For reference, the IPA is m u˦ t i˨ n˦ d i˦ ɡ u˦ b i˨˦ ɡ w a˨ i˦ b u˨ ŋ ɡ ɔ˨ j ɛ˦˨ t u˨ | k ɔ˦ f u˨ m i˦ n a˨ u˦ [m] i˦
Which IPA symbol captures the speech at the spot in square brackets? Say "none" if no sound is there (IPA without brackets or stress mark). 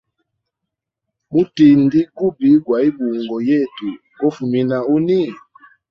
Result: n